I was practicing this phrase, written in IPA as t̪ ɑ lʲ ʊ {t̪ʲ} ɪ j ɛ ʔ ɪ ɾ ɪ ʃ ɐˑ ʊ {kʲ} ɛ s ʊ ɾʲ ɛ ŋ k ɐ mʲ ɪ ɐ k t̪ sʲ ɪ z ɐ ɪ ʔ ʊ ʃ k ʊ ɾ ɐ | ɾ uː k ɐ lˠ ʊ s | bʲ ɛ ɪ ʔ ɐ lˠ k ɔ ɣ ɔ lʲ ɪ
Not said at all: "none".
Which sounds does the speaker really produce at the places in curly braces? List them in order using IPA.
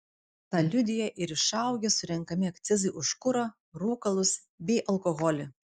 d̪ʲ, ɡʲ

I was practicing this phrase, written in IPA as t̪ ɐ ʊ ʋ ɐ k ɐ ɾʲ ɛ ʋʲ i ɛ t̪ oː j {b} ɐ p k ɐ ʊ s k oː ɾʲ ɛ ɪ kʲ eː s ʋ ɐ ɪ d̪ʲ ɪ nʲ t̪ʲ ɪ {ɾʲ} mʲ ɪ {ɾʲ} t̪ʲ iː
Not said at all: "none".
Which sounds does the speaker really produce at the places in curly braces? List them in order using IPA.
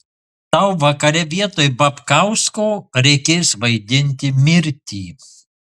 b, none, ɾʲ

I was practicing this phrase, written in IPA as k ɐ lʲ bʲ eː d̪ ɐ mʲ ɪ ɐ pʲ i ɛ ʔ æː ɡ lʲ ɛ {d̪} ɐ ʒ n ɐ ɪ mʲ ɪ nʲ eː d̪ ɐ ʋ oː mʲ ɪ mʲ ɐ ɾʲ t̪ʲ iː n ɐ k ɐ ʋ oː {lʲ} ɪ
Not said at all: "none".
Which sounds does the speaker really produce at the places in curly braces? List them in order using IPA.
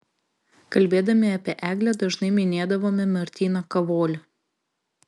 d̪, lʲ

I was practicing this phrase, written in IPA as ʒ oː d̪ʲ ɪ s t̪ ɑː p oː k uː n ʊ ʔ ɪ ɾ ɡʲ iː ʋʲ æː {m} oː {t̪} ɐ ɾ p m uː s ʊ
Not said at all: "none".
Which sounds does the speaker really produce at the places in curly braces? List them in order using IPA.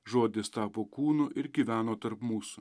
n, t̪

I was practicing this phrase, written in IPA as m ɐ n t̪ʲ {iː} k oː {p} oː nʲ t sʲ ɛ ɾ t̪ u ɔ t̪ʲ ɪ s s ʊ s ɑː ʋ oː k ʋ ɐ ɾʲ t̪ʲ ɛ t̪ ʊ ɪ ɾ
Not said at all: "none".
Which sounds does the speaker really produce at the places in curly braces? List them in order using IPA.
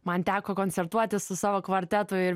æː, k

